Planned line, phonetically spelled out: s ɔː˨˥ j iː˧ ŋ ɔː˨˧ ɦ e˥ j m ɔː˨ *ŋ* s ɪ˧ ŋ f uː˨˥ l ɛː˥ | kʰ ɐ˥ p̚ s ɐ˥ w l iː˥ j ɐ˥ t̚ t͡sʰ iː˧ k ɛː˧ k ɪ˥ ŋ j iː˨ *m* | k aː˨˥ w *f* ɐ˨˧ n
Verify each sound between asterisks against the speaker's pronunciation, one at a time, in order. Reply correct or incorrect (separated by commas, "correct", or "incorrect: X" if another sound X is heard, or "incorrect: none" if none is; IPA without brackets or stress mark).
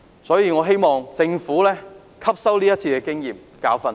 correct, correct, correct